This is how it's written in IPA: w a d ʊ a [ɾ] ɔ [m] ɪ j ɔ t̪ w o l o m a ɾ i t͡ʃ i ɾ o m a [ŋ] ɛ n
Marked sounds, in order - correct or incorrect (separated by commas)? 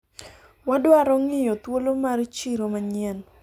correct, incorrect, incorrect